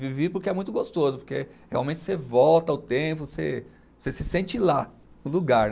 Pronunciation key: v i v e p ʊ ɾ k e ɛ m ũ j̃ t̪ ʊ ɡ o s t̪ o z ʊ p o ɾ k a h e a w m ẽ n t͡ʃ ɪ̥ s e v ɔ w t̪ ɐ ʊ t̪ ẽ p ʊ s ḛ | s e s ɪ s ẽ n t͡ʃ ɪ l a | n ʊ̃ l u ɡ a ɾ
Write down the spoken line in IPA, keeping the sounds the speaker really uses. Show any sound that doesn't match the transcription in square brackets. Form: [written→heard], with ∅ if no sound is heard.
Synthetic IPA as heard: v i v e p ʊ ɾ k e ɛ m ũ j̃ t̪ ʊ ɡ o s t̪ o z ʊ p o ɾ k [a→e] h e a w m ẽ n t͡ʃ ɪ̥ s e v ɔ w t̪ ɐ ʊ t̪ ẽ p ʊ s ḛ | s e s ɪ s ẽ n t͡ʃ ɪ l a | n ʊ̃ l u ɡ a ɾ

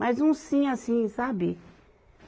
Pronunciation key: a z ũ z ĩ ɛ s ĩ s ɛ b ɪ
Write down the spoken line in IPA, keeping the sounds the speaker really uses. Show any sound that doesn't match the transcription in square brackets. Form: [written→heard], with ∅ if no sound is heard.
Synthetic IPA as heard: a z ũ [z→s] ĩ [ɛ→a] s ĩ s [ɛ→a] b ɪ

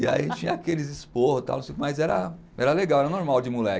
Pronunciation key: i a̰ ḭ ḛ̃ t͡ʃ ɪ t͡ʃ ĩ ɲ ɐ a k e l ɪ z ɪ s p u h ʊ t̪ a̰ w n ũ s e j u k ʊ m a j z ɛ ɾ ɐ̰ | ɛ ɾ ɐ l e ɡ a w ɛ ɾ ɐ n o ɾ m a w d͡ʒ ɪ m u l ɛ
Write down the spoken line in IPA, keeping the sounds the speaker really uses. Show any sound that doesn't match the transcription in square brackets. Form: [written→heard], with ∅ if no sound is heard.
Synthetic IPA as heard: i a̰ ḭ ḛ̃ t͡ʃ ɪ t͡ʃ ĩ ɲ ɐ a k e l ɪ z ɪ s p [u→o] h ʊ t̪ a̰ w n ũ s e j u k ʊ m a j z ɛ ɾ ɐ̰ | ɛ ɾ ɐ l e ɡ a w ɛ ɾ ɐ n o ɾ m a w d͡ʒ ɪ m u l ɛ

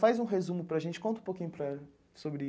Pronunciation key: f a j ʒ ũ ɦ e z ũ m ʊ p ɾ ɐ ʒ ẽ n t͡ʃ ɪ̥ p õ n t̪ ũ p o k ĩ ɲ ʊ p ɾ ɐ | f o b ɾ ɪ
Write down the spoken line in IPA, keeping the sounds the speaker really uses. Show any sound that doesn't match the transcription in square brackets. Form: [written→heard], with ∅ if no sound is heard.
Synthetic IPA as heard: f a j [ʒ→z] ũ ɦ e z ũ m ʊ p ɾ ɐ ʒ ẽ n t͡ʃ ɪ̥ [p→k] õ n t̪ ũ p o k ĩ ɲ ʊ p ɾ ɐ | [f→s] o b ɾ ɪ

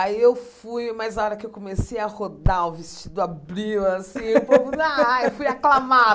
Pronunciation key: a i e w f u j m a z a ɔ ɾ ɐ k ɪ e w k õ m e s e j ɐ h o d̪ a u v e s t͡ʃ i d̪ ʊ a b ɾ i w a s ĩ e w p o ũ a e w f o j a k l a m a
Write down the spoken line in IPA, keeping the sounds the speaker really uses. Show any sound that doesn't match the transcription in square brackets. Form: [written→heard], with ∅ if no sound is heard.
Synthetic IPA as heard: a i e w f u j m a z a ɔ ɾ ɐ k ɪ e w k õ m e s e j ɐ h o d̪ a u v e s t͡ʃ i d̪ ʊ a b ɾ i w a s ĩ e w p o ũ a e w f [o→u] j a k l a m a

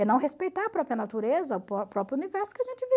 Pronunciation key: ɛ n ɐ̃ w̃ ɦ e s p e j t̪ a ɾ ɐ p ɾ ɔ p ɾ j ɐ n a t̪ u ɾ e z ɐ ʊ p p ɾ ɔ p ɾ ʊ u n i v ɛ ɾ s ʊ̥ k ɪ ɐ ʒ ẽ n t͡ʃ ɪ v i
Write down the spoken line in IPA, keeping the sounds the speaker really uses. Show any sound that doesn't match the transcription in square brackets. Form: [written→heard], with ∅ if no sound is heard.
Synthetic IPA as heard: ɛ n ɐ̃ w̃ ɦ e s p e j t̪ a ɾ ɐ p ɾ ɔ p ɾ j ɐ n a t̪ u ɾ e z ɐ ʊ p p ɾ ɔ p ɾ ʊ u n i v ɛ ɾ s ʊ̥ k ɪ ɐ ʒ ẽ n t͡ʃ ɪ v i

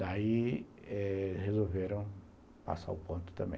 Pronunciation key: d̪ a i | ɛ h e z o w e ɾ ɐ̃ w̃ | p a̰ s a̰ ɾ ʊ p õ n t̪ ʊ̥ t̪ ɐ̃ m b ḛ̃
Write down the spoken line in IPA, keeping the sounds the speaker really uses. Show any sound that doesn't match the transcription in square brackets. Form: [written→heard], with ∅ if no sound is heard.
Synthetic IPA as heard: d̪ a i | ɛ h e z o [w→v] e ɾ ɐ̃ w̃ | p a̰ s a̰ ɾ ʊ p õ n t̪ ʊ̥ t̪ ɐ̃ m b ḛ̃

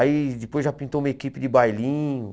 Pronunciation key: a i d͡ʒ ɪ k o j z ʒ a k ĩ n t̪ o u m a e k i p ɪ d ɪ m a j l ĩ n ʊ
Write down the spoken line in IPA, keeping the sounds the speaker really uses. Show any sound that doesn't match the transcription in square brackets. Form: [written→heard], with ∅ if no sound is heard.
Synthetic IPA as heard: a i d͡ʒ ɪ [k→p] o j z ʒ a [k→p] ĩ n t̪ o u m [a→ɐ] e k i p ɪ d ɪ [m→b] a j l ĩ [n→ɲ] ʊ

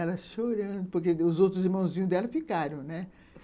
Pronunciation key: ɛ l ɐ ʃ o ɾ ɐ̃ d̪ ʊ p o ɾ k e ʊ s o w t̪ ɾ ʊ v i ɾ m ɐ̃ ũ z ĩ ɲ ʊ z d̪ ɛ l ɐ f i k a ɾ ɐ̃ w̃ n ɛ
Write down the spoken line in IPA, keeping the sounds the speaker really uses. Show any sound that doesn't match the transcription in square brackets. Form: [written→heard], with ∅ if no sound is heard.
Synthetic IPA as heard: ɛ l ɐ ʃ o ɾ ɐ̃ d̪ ʊ p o ɾ k e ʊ [s→z] o w t̪ ɾ ʊ [v→z] i ɾ m ɐ̃ [ũ→w̃] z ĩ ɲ ʊ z d̪ ɛ l ɐ f i k a ɾ ɐ̃ w̃ n ɛ

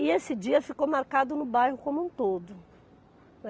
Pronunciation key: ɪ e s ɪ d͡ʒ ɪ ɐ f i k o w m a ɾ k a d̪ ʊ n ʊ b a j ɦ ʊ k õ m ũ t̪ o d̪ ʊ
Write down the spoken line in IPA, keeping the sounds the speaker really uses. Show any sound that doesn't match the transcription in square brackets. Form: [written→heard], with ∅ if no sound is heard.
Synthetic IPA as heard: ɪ e s ɪ d͡ʒ [ɪ→i] ɐ f i k o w m a ɾ k a d̪ ʊ n ʊ b a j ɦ ʊ k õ m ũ t̪ o d̪ ʊ

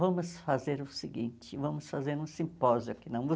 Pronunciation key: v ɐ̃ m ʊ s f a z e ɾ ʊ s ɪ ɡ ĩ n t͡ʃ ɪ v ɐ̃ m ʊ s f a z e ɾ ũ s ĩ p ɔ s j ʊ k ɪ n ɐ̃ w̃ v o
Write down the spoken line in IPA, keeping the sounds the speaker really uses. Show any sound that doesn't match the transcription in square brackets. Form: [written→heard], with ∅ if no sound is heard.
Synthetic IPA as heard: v ɐ̃ m ʊ s f a z e ɾ ʊ s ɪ ɡ ĩ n t͡ʃ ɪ v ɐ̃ m ʊ s f a z e ɾ ũ s ĩ p ɔ [s→z] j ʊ k ɪ n ɐ̃ w̃ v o

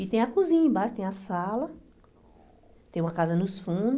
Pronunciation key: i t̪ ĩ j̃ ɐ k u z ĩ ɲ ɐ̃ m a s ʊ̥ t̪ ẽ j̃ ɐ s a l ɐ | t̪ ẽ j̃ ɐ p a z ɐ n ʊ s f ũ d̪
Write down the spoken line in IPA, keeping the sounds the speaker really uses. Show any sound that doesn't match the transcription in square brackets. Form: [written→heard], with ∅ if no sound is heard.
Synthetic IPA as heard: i t̪ [ĩ→ẽ] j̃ ɐ k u z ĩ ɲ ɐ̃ [m→b] a [s→ʃ] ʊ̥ t̪ ẽ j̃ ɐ s a l ɐ | t̪ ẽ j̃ ɐ [p→k] a z ɐ n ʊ s f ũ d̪

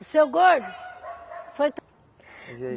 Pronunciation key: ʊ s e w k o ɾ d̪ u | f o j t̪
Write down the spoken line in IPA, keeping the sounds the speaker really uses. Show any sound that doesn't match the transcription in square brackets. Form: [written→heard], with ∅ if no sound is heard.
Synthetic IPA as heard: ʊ s e w [k→ɡ] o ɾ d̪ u | f o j t̪

